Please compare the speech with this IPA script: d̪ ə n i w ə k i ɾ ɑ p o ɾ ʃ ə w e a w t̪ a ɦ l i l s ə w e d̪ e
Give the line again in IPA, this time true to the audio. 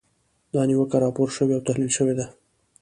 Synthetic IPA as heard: d̪ ɑ n i w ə k a ɾ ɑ p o ɾ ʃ ə w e a w t̪ a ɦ l i l ʃ ə w e d̪ a